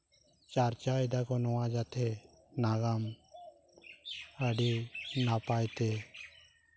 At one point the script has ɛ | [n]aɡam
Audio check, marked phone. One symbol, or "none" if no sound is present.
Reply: n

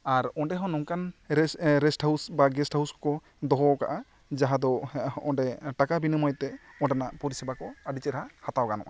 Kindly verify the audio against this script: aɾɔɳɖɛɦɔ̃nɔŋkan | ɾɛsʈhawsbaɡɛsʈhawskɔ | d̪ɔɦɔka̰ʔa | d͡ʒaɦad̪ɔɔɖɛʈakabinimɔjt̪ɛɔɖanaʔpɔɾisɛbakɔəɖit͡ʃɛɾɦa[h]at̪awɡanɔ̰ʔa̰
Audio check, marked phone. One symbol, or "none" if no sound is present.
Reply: h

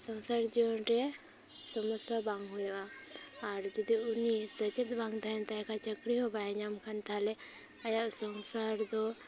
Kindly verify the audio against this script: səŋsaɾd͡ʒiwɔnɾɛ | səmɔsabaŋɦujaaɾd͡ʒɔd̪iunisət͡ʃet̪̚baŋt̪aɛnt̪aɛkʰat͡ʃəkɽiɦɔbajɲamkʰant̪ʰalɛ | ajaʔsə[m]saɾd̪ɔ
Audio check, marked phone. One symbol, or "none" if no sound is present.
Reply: ŋ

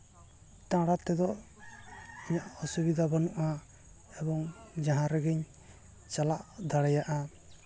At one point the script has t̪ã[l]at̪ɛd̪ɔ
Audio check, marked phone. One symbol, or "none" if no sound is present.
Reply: ɽ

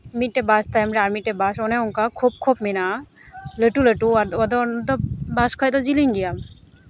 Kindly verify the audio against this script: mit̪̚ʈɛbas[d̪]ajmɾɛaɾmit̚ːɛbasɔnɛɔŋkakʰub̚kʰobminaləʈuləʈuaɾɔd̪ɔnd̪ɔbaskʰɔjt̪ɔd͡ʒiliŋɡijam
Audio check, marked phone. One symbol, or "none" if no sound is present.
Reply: t̪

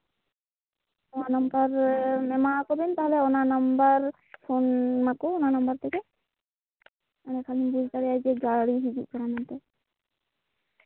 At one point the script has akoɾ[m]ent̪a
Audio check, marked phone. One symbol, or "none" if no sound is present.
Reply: b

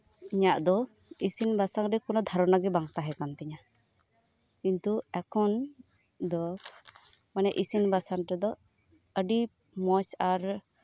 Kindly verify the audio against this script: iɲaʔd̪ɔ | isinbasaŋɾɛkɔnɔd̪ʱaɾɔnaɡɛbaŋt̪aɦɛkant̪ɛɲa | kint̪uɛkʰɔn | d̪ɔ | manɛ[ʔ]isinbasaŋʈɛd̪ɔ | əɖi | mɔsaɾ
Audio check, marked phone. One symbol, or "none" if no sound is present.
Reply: ʔ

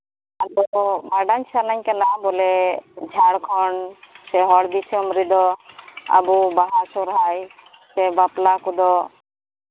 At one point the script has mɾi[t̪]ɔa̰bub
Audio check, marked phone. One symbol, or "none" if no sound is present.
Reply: d̪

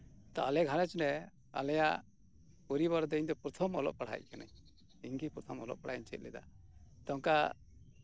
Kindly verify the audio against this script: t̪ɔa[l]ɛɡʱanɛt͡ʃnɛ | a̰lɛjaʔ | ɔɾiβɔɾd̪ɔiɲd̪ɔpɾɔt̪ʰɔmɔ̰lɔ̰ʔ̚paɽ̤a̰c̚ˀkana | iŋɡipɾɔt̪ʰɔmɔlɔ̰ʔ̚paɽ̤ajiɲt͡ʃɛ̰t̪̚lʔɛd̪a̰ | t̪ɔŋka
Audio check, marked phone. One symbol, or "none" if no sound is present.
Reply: l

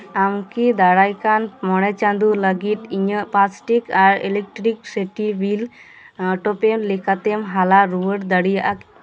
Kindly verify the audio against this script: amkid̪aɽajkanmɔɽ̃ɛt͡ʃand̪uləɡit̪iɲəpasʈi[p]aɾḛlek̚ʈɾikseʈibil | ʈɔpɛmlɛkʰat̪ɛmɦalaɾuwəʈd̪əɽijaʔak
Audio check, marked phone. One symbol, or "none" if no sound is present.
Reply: k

